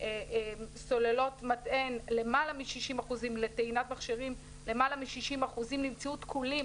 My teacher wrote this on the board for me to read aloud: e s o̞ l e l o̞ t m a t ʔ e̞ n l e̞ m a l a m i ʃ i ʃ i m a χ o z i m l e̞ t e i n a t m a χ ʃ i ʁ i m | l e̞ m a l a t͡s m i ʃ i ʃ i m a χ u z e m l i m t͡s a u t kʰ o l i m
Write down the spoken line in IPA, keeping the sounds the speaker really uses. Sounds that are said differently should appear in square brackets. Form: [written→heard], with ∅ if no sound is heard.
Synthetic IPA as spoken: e s o̞ l e l o̞ t m a t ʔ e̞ n l e̞ m a l a m i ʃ i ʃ i m a χ [o→u] z i m l e̞ t e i n a t m a χ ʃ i ʁ i m | l e̞ m a l a [t͡s→∅] m i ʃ i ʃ i m a χ u z [e→i] m l i m t͡s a u t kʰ [o→u] l i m